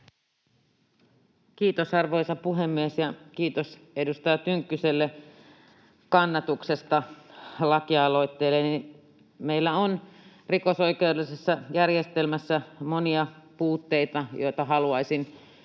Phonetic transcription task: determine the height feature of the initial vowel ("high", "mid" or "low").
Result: high